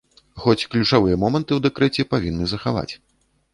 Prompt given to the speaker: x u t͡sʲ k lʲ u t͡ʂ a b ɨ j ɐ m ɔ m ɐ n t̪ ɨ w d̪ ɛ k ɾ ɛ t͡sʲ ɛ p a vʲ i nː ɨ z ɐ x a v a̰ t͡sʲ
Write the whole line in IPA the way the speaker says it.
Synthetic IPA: x ɔ t͡sʲ k lʲ u t͡ʂ a v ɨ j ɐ m ɔ m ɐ n t̪ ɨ w d̪ ɛ k ɾ ɛ t͡sʲ ɛ p a vʲ i nː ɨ z ɐ x a v a̰ t͡sʲ